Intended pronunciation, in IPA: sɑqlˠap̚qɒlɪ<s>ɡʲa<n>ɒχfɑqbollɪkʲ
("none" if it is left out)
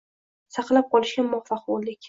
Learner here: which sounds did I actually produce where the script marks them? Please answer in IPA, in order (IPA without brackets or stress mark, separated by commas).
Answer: ʃ, m